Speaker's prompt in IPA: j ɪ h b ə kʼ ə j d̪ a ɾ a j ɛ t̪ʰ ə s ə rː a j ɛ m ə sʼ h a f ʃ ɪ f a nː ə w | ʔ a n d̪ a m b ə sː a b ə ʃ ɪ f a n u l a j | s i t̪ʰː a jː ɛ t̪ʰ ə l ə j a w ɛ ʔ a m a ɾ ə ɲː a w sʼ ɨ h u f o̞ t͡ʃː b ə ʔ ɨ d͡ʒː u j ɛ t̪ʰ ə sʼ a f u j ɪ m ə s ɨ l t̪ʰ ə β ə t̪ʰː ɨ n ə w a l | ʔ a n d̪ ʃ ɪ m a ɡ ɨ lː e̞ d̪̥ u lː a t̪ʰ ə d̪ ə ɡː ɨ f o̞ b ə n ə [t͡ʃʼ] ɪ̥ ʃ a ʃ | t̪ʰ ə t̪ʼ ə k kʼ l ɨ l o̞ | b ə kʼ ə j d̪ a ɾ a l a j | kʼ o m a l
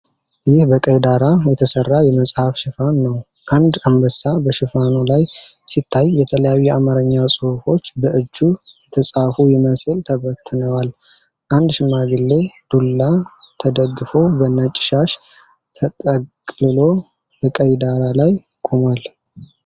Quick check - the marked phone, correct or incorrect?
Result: correct